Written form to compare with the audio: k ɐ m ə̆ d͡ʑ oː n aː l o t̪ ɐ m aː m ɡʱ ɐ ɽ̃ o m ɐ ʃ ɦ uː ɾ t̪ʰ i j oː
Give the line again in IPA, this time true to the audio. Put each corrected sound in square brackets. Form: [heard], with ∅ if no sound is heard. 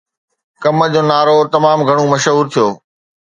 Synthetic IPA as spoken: k ɐ m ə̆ d͡ʑ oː n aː [ɾ] o t̪ ɐ m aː m ɡʱ ɐ ɽ̃ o m ɐ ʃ ɦ uː ɾ t̪ʰ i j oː